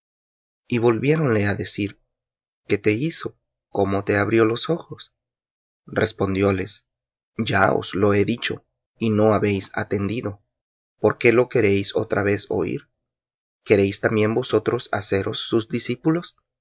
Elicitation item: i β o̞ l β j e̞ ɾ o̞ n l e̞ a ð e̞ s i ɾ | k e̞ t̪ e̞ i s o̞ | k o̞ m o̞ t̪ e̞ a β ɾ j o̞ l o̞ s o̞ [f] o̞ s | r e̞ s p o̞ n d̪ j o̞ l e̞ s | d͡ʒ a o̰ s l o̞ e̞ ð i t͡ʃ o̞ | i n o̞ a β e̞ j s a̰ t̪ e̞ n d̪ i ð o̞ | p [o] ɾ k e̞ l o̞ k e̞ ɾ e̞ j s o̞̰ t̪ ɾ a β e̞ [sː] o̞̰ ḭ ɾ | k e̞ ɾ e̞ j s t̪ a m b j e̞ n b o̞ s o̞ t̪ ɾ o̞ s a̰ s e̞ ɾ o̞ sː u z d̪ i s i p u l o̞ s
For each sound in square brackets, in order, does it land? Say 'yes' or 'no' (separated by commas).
no, yes, no